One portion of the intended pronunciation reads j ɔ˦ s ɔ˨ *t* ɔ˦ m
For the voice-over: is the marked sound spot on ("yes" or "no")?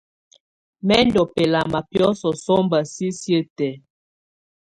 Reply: no